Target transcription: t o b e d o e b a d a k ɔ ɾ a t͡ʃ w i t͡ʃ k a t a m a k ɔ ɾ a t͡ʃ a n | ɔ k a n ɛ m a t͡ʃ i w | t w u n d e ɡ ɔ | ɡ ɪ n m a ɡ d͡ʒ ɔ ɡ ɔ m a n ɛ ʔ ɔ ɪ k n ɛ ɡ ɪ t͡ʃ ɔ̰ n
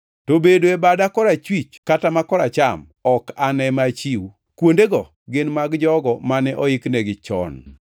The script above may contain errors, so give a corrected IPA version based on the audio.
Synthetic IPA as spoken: t o b e d o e b a d a k ɔ ɾ a t͡ʃ w i t͡ʃ k a t a m a k ɔ ɾ a t͡ʃ a m | ɔ k a n ɛ m a t͡ʃ i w | k w o n d e ɡ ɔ | ɡ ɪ n m a ɡ d͡ʒ ɔ ɡ ɔ m a n ɛ ʔ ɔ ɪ k n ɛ ɡ ɪ t͡ʃ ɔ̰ n

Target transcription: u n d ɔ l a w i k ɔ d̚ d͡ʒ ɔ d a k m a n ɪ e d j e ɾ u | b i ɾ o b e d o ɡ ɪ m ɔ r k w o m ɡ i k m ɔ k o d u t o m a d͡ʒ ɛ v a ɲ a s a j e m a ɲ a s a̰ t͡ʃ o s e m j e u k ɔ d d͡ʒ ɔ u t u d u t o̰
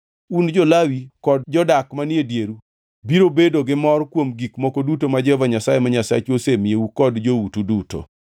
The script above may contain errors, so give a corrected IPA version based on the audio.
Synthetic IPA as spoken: u n d͡ʒ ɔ l a w i k ɔ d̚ d͡ʒ ɔ d a k m a n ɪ e d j e ɾ u | b i ɾ o b e d o ɡ ɪ m ɔ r k w o m ɡ i k m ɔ k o d u t o m a d͡ʒ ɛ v a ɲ a s a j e m a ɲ a s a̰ t͡ʃ o s e m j e u k ɔ d d͡ʒ o u t u d u t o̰

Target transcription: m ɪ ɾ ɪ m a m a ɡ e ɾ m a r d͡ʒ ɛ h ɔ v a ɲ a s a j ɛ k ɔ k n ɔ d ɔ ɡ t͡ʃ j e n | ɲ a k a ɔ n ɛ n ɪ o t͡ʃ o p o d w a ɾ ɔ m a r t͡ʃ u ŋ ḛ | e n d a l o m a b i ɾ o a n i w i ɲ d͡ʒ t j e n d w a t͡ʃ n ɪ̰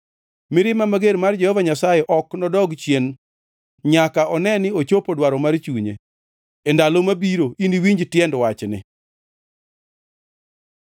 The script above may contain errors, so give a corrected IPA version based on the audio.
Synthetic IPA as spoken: m ɪ ɾ ɪ m a m a ɡ e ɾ m a r d͡ʒ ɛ h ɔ v a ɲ a s a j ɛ ʔ ɔ k n ɔ d ɔ ɡ t͡ʃ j e n | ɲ a k a ɔ n ɛ n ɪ o t͡ʃ o p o d w a ɾ ɔ m a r t͡ʃ u ɲ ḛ | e n d a l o m a b i ɾ o i n i w i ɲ d͡ʒ t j ɛ n d w a t͡ʃ n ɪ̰

